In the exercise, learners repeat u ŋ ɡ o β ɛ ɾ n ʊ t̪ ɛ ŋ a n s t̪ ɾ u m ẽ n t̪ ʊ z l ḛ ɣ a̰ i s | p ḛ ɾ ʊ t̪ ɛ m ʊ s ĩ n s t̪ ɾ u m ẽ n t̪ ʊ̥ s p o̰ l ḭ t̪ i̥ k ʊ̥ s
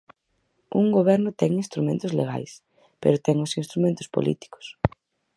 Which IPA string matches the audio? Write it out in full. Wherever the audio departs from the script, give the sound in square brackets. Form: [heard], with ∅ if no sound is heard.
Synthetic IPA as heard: u ŋ ɡ o β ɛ ɾ n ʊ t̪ ɛ ŋ [i] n s t̪ ɾ u m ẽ n t̪ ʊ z l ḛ ɣ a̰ [j] s | p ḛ ɾ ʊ t̪ ɛ [ŋ] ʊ s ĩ n s t̪ ɾ u m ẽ n t̪ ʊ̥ s p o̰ l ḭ t̪ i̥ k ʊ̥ s